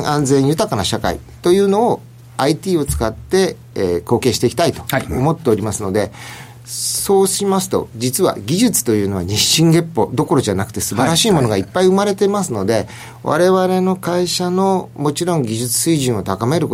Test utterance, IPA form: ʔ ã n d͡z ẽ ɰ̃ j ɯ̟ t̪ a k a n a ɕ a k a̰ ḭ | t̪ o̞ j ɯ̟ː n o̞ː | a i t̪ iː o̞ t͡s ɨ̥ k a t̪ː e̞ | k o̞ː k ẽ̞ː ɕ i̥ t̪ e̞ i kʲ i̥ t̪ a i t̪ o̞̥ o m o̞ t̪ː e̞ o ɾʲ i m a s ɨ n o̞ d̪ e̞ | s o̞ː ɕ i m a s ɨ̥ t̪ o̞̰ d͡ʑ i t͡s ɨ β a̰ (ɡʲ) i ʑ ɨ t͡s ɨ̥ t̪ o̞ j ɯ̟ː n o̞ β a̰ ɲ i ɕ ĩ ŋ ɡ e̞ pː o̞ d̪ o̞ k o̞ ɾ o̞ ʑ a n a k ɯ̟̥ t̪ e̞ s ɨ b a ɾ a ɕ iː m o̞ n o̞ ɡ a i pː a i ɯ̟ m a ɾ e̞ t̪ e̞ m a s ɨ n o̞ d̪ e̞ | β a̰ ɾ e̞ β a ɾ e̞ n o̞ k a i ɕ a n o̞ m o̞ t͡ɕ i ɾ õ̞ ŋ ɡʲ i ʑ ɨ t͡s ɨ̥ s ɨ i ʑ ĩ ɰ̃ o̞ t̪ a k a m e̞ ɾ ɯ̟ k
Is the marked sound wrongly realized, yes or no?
no